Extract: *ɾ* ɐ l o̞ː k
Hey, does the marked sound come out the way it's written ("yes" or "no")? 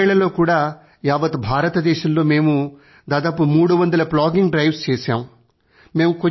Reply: no